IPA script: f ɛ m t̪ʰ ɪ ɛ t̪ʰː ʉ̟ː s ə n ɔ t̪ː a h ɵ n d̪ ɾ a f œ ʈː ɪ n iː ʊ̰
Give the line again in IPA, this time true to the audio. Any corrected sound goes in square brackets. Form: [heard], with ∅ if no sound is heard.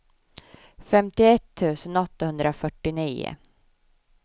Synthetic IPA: f ɛ m [t̪] ɪ ɛ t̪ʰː ʉ̟ː s ə n ɔ t̪ː a h ɵ n d̪ ɾ a f œ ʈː ɪ n iː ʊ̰